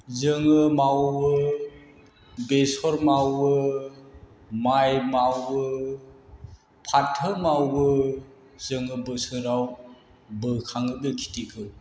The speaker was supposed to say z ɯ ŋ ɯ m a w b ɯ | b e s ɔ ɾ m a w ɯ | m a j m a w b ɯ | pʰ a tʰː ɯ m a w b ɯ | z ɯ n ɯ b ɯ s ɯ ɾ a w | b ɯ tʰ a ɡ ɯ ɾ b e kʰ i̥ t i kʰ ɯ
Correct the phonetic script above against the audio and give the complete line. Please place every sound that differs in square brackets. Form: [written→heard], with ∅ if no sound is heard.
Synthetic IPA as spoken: z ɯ ŋ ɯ m a w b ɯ | b e s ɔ ɾ m a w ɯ | m a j m a w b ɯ | pʰ a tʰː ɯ m a w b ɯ | z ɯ [n→ŋ] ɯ b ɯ s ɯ ɾ a w | b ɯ [tʰ→kʰ] a [ɡ→ŋ] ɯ [ɾ→∅] b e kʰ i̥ t i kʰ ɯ